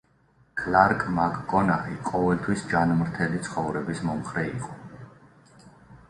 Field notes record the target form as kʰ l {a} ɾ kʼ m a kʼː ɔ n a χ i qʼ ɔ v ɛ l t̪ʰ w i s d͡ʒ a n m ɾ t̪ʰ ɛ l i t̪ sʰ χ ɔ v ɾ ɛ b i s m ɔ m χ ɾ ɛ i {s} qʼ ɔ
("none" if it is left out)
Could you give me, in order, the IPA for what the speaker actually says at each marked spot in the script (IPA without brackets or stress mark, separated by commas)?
a, none